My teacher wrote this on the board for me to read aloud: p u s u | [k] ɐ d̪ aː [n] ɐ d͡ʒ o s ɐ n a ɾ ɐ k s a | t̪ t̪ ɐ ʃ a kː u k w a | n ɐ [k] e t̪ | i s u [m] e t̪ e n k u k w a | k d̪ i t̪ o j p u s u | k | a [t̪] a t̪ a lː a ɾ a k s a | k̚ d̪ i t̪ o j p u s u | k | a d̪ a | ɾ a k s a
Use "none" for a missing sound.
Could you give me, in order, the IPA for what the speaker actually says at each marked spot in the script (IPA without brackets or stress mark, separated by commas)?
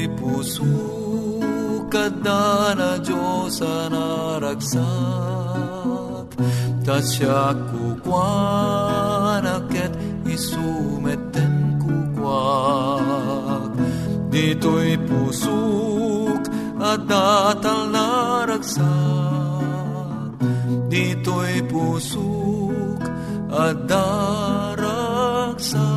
k, n, k, m, d̪